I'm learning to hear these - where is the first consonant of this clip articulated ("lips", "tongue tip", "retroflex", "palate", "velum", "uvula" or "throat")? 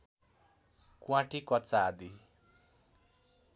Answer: velum